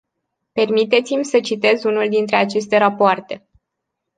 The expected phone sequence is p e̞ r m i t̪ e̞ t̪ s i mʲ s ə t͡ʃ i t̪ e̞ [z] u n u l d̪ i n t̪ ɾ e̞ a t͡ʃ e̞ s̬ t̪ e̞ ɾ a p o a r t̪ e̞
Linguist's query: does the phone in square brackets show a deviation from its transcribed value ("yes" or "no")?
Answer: no